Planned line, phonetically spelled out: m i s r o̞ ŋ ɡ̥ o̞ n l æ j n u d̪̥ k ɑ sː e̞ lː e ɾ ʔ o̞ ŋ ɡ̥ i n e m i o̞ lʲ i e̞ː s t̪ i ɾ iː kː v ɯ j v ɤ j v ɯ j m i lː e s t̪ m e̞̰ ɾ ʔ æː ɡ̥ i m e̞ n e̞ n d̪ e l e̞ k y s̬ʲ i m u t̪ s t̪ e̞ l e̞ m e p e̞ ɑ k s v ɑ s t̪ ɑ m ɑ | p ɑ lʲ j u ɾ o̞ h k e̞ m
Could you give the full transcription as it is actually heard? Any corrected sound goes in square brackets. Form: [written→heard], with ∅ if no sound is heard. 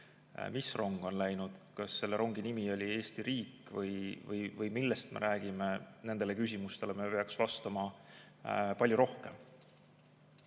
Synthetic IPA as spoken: m i s r o̞ ŋ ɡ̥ o̞ n l æ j n u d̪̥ k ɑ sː e̞ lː e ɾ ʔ o̞ ŋ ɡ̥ i n [e→i] m i o̞ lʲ i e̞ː s t̪ i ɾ iː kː v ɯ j v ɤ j v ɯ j m i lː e s t̪ m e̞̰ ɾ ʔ æː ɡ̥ i m e̞ n e̞ n d̪ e l e̞ k y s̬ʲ i m u [t̪→∅] s t̪ e̞ l e̞ m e p e̞ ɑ k s v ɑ s t̪ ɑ m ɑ | p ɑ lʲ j u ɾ o̞ h k e̞ m